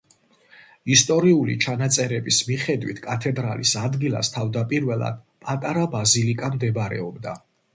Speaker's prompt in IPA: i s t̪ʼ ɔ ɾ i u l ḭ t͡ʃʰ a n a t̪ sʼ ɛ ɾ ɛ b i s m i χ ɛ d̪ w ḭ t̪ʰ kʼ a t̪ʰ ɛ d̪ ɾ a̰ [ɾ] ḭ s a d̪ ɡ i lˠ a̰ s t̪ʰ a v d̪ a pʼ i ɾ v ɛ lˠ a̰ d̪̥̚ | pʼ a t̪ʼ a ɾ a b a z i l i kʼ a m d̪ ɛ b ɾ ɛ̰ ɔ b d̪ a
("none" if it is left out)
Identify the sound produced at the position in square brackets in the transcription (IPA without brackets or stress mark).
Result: l